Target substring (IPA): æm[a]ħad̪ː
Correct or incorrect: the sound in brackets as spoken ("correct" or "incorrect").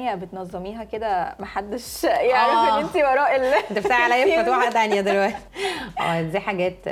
incorrect